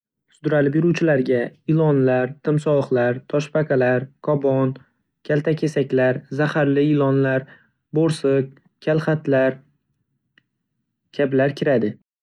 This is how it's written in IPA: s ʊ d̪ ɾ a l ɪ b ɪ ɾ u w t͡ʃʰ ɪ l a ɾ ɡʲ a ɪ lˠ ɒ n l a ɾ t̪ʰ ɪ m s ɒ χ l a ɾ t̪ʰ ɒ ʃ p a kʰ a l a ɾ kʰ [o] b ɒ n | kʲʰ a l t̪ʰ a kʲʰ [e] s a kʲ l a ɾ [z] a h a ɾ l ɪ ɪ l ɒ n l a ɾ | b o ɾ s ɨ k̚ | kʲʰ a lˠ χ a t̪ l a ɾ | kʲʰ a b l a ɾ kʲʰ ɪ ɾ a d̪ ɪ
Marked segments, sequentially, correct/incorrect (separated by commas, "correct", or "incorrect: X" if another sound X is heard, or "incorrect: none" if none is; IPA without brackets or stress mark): incorrect: ɒ, correct, correct